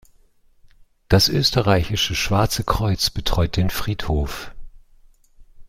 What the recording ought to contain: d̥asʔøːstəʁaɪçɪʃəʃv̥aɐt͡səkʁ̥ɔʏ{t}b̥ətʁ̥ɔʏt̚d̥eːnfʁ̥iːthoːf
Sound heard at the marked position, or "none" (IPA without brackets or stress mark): t͡s